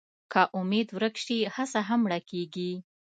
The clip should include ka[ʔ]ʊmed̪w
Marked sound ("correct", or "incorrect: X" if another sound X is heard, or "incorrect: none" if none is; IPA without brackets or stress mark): correct